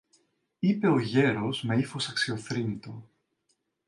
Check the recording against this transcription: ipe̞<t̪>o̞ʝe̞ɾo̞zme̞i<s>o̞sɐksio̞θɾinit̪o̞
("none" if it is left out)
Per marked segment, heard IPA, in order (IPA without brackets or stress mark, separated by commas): none, f